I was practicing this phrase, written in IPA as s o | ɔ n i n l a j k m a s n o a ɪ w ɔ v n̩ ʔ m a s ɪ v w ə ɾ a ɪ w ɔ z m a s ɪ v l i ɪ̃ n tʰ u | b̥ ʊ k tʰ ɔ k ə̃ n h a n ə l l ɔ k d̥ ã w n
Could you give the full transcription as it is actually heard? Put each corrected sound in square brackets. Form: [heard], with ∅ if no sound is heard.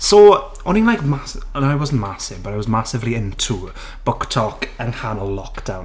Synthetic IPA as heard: s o | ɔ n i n l a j k m a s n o a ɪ w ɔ [z] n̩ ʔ m a s ɪ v [b] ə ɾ a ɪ w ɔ z m a s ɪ v l i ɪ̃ n tʰ u | b̥ ʊ k tʰ ɔ k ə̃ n h a n ə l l ɔ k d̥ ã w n

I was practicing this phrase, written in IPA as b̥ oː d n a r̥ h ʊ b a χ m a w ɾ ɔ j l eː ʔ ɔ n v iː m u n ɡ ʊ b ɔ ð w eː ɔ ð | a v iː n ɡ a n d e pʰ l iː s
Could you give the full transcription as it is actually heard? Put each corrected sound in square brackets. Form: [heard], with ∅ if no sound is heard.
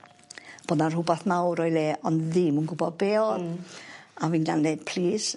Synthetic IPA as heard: b̥ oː d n a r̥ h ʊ b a [θ] m a w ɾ ɔ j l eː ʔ ɔ n [ð] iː m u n ɡ ʊ b ɔ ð [b] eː ɔ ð | a v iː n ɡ a n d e pʰ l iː s

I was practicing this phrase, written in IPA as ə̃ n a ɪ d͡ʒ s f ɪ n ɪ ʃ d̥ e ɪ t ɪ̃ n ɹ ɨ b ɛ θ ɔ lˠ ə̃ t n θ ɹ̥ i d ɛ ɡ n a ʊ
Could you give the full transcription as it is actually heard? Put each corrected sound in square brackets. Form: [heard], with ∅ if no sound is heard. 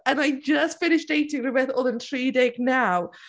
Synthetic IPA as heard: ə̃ n a ɪ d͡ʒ s f ɪ n ɪ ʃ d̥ e ɪ t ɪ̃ [ŋ] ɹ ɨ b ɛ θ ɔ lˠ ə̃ [∅] n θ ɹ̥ i d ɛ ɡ n a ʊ

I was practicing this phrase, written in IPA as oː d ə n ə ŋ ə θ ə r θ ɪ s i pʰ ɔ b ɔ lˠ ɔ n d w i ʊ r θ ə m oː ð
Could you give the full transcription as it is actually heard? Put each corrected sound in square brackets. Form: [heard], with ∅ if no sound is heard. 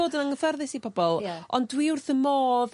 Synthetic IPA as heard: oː d ə n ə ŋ ə [f] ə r [ð] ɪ s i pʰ ɔ b ɔ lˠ ɔ n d w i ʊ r θ ə m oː ð

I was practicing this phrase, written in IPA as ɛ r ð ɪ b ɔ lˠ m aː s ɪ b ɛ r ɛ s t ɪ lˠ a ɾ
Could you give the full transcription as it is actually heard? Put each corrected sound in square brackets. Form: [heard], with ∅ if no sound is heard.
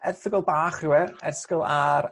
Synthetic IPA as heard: ɛ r [θ] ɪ [ɡ] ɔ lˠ [b] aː [χ] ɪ [w] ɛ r ɛ s [k] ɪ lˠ a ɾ

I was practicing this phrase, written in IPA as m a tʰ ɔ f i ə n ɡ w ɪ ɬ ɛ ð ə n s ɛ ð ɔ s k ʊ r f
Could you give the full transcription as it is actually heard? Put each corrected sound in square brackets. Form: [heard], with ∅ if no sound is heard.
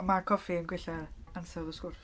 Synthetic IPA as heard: m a [kʰ] ɔ f i ə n ɡ w ɪ ɬ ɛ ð [a] n s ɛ ð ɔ s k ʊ r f

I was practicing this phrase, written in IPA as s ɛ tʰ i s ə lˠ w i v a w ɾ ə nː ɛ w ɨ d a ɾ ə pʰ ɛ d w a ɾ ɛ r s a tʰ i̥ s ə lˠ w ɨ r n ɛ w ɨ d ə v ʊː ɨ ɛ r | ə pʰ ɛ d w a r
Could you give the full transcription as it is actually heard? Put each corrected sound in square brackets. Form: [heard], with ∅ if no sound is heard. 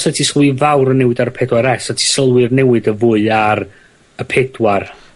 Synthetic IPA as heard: s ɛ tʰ i s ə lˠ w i v a w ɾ ə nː ɛ w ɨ d a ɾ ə pʰ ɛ d w a ɾ ɛ [∅] s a tʰ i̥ s ə lˠ w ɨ r n ɛ w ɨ d ə v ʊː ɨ [a] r | ə pʰ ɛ d w a r

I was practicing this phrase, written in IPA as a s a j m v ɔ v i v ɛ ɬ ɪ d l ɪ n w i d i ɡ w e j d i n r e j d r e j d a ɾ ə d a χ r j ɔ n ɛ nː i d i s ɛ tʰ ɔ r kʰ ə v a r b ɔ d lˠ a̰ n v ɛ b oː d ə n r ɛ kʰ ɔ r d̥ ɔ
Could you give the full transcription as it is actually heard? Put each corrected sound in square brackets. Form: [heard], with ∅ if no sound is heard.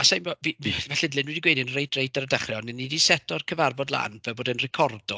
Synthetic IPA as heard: a s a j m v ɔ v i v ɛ ɬ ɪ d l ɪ n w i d i ɡ w e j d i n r e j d r e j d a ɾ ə d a χ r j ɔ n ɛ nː i d i s ɛ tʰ ɔ r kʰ ə v a r b ɔ d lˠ a̰ n v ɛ b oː d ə n r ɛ kʰ ɔ r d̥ ɔ

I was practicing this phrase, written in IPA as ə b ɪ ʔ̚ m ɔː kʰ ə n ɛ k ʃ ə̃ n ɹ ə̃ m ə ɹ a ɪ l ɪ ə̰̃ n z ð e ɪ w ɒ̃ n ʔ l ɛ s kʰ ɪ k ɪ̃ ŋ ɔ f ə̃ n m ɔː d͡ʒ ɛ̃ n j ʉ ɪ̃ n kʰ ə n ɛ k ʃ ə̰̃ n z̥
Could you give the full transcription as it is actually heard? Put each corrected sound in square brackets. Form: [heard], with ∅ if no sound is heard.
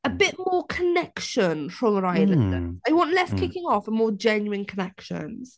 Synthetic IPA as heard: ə b ɪ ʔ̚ m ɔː kʰ ə n ɛ k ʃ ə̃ n ɹ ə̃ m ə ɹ a ɪ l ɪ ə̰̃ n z ð e ɪ w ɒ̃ n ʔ l ɛ s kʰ ɪ k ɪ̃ ŋ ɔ f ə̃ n m ɔː d͡ʒ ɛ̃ n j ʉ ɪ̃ n kʰ ə n ɛ k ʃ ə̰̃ n z̥

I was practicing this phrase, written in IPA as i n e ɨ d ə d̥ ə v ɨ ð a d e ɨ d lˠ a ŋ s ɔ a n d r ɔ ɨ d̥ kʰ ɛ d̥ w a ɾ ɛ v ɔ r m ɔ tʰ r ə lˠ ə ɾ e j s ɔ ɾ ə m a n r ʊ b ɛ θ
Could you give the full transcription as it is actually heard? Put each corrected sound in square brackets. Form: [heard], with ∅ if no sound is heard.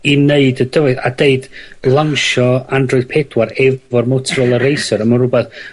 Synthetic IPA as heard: i n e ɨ d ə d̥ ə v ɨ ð a d e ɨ d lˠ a ŋ [ʃ] ɔ a n d r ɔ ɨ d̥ [pʰ] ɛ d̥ w a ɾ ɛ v ɔ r m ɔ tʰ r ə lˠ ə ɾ e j s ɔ ɾ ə m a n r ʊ b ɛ θ

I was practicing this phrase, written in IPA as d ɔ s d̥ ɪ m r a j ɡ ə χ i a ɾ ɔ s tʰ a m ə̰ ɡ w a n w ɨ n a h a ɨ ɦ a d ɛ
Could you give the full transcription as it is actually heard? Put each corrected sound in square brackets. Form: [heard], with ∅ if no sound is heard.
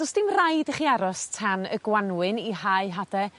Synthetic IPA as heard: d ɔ s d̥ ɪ m r a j [d] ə χ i a ɾ ɔ s tʰ a [n] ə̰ ɡ w a n w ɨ n [i] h a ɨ ɦ a d ɛ

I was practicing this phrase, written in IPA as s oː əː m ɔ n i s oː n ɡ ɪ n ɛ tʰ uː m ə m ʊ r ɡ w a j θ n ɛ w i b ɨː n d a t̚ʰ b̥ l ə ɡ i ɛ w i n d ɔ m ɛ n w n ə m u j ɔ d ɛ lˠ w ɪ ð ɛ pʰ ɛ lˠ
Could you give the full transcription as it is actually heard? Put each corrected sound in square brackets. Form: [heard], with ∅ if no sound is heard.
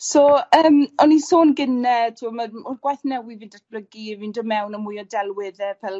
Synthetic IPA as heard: s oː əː m ɔ n i s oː n ɡ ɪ n ɛ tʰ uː m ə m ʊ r ɡ w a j θ n ɛ w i [v] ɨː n d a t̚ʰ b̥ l ə ɡ i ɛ [v] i n d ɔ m ɛ [∅] w n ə m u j ɔ d ɛ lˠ w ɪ ð ɛ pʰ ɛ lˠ

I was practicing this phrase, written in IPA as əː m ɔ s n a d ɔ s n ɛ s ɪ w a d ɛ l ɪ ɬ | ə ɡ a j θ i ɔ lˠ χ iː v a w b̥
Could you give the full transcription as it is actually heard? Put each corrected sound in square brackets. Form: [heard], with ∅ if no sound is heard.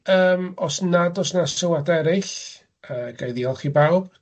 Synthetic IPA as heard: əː m ɔ s n a d ɔ s n [a] s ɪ w a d ɛ [ɾ] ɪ ɬ | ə ɡ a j [ð] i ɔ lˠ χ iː [b] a w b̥

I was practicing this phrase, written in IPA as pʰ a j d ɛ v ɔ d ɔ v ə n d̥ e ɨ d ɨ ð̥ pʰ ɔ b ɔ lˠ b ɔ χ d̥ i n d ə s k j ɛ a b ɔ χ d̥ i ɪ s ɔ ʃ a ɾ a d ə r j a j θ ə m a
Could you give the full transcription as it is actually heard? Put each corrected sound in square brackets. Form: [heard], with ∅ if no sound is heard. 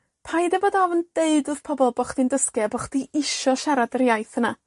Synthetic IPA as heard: pʰ a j d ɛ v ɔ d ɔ v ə n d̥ e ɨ d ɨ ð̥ pʰ ɔ b ɔ lˠ b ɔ χ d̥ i n d ə s k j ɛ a b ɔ χ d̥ i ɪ [ʃ] ɔ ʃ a ɾ a d ə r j a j θ ə [n] a

